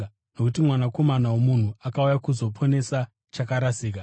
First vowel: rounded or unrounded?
rounded